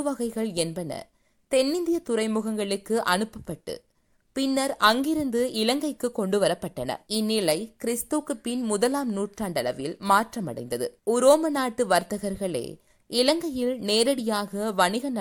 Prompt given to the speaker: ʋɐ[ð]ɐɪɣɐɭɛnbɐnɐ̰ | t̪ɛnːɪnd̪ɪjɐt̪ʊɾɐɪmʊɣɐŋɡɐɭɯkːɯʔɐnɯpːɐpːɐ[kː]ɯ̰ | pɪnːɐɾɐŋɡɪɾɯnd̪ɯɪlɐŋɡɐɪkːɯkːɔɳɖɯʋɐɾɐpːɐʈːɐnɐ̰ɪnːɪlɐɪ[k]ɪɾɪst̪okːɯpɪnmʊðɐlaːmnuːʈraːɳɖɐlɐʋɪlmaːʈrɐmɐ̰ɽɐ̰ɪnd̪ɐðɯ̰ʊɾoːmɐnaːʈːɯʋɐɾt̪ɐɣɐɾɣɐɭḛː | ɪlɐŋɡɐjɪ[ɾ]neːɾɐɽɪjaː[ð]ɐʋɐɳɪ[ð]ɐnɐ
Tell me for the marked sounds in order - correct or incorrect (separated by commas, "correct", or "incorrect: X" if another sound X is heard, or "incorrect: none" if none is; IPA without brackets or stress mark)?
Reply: incorrect: ɣ, incorrect: ʈː, correct, incorrect: l, incorrect: ɣ, incorrect: ɣ